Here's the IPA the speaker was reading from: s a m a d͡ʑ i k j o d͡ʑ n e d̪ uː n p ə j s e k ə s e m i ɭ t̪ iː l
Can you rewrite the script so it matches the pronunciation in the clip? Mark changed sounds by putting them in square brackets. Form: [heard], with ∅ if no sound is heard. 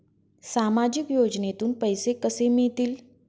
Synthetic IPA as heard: s a m a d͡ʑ i k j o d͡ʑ n e [t̪] uː n p ə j s e k ə s e m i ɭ t̪ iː l